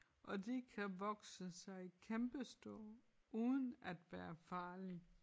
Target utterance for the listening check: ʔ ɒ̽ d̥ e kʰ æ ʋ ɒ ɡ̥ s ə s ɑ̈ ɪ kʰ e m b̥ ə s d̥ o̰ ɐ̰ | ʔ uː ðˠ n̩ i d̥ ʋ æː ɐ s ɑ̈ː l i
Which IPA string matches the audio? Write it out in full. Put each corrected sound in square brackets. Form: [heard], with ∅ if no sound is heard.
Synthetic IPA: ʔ ɒ̽ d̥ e kʰ æ ʋ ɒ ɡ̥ s ə s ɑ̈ ɪ kʰ e m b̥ ə s d̥ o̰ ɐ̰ | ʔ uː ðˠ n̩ [æ] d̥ ʋ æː ɐ [f] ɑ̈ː l i